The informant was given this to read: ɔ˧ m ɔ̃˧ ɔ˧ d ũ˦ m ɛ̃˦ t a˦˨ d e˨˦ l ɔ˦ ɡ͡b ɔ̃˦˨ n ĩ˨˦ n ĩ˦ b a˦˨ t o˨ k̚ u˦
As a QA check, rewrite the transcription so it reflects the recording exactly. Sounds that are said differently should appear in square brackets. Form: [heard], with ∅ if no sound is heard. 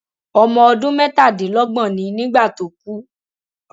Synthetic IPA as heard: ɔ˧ m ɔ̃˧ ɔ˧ d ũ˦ m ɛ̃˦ t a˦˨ d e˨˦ l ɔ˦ ɡ͡b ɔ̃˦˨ n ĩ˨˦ n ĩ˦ [ɡ͡b] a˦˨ t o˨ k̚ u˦